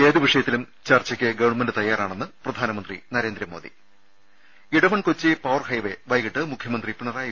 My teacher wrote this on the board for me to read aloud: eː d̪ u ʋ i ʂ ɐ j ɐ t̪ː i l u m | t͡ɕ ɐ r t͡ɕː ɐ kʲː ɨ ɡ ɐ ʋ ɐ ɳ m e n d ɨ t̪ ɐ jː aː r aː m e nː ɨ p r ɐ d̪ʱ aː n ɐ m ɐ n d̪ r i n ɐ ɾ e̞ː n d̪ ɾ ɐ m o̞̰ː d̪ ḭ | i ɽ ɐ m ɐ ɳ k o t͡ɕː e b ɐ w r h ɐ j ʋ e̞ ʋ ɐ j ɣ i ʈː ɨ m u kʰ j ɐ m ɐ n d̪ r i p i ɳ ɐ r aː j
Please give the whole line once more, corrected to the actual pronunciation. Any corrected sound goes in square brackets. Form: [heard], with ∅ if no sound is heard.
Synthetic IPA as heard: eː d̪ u ʋ i ʂ ɐ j ɐ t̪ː i l u m | t͡ɕ ɐ r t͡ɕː ɐ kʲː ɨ ɡ ɐ ʋ ɐ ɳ m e n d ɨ t̪ ɐ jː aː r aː [ɳ] e nː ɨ p r ɐ d̪ʱ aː n ɐ m ɐ n d̪ r i n ɐ ɾ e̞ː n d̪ ɾ ɐ m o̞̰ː d̪ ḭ | i ɽ ɐ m ɐ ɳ k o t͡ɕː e [p] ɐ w r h ɐ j ʋ e̞ ʋ ɐ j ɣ i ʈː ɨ m u kʰ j ɐ m ɐ n d̪ r i p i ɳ ɐ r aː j

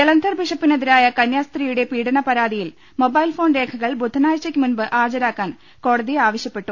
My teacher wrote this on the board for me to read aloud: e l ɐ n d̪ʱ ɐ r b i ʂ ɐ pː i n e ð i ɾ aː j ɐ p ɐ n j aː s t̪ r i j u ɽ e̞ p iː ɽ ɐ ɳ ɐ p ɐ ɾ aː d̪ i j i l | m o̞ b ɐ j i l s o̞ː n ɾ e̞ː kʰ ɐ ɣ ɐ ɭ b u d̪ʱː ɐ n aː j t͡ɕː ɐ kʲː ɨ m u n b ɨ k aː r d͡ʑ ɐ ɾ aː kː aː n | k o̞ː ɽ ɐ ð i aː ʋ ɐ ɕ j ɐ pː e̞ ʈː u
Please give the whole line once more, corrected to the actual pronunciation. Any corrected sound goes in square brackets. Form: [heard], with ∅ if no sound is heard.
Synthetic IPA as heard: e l ɐ n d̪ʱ ɐ r b i ʂ ɐ pː i n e ð i ɾ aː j ɐ [k] ɐ n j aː s t̪ r i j u ɽ e̞ p iː ɽ ɐ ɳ ɐ p ɐ ɾ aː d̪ i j i l | m o̞ b ɐ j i l [f] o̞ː n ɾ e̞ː kʰ ɐ ɣ ɐ ɭ b u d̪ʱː ɐ n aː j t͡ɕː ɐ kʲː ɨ m u n b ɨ [ʔ] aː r d͡ʑ ɐ ɾ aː kː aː n | k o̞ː ɽ ɐ ð i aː ʋ ɐ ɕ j ɐ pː e̞ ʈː u

